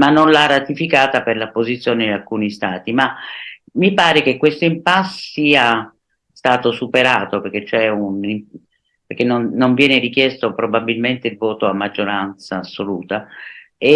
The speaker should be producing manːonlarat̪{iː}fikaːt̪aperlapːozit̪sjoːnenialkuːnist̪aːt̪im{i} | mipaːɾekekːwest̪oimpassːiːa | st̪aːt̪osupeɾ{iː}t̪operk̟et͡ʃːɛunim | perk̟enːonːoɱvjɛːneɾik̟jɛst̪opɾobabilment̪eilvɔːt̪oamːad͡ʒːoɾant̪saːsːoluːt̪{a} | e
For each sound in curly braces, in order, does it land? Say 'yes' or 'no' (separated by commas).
no, no, no, yes